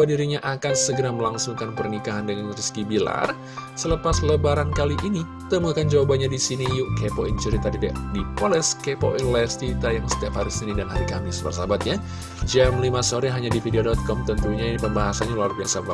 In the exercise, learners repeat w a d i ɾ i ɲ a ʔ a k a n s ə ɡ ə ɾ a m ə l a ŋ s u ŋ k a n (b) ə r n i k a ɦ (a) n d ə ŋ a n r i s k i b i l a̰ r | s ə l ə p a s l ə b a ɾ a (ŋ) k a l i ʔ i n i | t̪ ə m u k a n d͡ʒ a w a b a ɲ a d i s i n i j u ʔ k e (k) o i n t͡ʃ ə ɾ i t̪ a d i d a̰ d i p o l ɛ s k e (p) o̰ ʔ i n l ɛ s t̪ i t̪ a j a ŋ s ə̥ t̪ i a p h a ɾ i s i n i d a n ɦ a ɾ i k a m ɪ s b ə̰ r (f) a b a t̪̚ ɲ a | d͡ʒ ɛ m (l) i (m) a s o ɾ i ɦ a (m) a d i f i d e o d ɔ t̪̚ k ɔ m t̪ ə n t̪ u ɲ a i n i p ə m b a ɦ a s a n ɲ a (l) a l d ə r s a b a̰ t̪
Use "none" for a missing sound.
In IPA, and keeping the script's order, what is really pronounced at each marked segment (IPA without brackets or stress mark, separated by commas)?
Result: p, a, n, p, p, s, l, m, ɲ, l